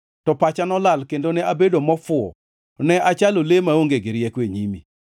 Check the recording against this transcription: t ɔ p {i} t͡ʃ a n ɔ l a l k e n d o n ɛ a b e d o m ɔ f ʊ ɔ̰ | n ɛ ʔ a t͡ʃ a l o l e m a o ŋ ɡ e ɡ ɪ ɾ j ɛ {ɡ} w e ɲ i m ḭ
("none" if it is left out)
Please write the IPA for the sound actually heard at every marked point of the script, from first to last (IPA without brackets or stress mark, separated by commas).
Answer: a, k